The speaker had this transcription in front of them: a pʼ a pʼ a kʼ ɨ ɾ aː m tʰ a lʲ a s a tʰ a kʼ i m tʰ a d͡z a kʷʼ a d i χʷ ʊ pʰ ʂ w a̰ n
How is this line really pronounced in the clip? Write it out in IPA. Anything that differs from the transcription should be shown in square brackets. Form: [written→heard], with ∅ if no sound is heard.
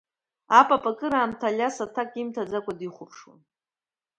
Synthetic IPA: a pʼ a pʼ a kʼ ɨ ɾ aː m tʰ a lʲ a s a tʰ a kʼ i m tʰ a d͡z a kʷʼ a d i χʷ ʊ pʰ ʂ w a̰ n